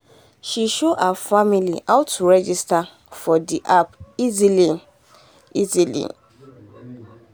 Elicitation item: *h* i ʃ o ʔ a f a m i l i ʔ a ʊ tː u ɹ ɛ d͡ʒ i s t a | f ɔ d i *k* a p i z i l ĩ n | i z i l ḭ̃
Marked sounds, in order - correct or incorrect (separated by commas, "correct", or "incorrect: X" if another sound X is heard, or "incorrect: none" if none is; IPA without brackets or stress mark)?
incorrect: ʃ, incorrect: ʔ